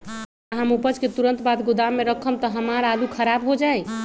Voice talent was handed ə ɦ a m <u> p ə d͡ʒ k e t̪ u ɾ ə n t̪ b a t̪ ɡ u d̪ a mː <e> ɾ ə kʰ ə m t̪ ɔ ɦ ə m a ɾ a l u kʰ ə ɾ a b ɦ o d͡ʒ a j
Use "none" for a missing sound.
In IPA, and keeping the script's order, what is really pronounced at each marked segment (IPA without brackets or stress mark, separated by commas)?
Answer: u, e